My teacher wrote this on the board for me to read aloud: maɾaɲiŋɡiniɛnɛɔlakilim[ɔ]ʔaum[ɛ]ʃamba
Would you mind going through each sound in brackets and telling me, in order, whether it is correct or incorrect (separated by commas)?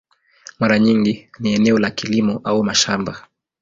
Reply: correct, incorrect